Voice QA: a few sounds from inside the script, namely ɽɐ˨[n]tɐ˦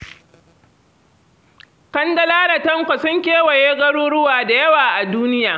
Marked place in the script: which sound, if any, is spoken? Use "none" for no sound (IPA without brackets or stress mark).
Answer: none